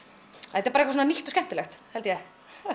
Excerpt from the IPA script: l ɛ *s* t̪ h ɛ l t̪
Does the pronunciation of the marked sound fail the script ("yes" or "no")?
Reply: yes